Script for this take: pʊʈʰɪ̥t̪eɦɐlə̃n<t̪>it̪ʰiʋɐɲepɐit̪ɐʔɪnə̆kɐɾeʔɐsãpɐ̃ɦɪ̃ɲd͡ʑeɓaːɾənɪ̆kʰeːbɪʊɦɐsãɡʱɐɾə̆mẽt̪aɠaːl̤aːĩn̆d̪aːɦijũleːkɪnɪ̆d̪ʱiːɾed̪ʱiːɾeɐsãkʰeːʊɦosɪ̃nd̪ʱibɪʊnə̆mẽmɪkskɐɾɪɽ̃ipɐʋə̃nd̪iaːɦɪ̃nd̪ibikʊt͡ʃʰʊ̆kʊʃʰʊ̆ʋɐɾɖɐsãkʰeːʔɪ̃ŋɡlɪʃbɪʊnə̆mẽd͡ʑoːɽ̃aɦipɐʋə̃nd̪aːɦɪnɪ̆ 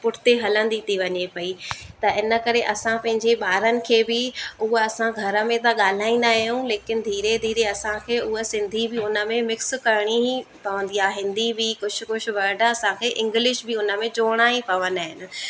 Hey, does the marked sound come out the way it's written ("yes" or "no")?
no